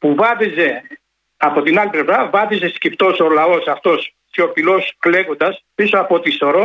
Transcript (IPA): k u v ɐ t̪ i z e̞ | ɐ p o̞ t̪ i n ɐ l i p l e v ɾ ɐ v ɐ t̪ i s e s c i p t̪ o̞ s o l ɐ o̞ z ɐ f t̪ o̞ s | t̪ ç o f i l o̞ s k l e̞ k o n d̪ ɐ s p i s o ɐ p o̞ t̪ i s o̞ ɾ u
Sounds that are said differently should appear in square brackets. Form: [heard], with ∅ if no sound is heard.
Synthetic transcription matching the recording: [p] u v ɐ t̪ i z e̞ | ɐ p o̞ t̪ i n ɐ l i p l e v ɾ ɐ v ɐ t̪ i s e s c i p t̪ o̞ s o l ɐ o̞ [s] ɐ f t̪ o̞ s | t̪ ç o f i l o̞ s k l e̞ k o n d̪ ɐ s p i s o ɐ p o̞ t̪ i s o̞ ɾ [o]